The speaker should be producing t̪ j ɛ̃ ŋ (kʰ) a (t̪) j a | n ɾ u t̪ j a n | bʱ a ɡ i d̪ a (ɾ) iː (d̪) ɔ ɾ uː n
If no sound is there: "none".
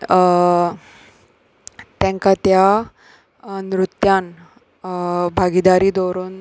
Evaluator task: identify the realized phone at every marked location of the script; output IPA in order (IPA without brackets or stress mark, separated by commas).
k, t̪, ɾ, d̪